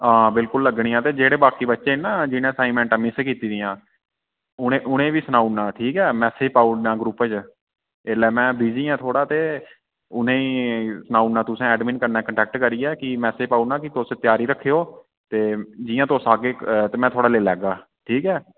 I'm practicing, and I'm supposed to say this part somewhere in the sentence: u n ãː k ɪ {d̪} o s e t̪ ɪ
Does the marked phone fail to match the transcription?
yes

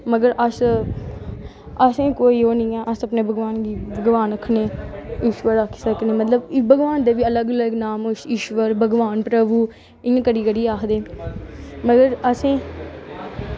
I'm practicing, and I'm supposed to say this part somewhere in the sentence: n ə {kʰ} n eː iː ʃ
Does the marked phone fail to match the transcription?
no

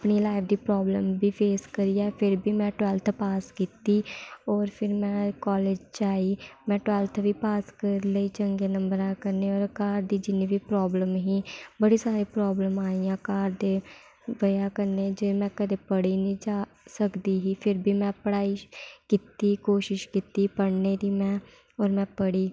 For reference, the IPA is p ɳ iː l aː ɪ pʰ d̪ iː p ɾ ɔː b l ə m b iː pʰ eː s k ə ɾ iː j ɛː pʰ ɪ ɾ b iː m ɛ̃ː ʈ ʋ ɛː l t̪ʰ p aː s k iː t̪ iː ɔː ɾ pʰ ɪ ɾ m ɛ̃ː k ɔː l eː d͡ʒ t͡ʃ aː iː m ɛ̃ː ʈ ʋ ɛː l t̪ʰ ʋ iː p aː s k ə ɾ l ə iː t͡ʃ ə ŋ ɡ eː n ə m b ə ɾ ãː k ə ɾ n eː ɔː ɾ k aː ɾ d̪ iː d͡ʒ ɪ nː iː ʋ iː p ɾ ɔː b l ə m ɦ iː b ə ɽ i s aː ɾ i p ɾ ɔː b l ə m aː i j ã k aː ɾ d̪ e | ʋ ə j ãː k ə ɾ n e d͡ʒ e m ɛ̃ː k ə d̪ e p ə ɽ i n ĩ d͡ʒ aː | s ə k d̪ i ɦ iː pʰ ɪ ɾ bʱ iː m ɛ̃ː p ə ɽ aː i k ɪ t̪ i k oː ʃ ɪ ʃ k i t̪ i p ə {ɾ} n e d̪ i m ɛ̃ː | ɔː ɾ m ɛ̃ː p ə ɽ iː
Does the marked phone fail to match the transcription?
yes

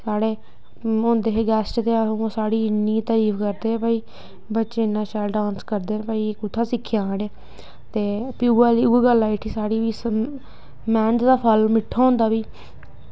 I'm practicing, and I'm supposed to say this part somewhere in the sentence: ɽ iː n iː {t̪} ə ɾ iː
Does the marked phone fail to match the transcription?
no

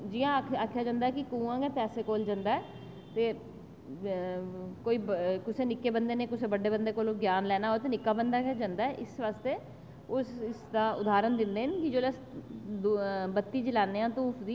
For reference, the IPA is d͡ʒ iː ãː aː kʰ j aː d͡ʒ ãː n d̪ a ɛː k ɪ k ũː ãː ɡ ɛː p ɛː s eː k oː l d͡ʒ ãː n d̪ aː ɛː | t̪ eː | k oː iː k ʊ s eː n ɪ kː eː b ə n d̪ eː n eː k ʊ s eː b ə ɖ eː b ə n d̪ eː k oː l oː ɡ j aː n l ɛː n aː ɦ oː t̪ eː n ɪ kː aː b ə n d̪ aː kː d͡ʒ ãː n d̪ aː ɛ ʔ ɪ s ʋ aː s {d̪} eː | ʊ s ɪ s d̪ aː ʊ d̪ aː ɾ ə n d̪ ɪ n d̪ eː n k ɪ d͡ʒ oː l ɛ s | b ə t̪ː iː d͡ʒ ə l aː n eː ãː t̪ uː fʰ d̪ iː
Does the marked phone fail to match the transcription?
yes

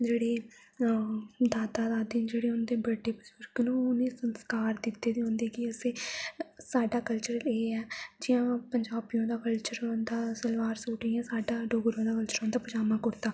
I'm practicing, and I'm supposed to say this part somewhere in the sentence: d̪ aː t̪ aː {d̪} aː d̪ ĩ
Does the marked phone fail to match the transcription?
no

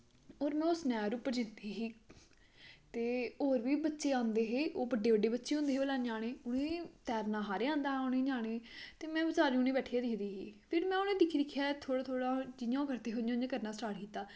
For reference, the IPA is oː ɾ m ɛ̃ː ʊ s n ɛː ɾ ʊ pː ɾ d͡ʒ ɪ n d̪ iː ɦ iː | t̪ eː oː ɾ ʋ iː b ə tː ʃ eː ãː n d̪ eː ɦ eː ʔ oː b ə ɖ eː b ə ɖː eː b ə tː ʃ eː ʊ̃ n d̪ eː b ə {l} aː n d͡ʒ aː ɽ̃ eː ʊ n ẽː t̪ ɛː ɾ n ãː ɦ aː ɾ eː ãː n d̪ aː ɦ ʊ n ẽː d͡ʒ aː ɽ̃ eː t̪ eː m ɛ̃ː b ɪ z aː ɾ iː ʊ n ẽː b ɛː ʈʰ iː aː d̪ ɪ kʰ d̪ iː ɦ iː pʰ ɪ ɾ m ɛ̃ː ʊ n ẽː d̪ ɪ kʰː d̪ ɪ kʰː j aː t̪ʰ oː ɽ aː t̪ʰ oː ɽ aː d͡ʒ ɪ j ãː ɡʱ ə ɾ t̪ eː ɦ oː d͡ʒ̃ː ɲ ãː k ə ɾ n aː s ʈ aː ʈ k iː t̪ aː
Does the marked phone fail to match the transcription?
no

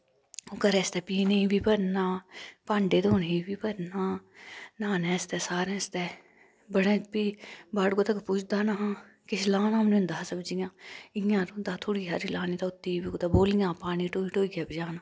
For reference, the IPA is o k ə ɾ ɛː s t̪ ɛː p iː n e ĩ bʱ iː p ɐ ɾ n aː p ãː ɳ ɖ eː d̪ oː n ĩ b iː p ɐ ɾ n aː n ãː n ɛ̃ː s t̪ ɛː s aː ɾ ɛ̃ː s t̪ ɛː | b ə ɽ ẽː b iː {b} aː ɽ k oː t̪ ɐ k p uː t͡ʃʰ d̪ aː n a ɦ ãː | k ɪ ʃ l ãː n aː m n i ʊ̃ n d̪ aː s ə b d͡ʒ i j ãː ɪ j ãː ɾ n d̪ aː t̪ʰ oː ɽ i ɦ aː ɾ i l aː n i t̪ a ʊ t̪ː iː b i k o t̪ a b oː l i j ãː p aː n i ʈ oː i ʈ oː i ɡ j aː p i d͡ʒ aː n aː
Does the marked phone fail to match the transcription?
no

